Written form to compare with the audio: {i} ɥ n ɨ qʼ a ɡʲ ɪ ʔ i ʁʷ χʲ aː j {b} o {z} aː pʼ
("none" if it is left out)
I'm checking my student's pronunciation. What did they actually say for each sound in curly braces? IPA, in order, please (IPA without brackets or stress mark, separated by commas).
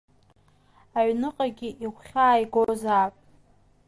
a, ɡ, z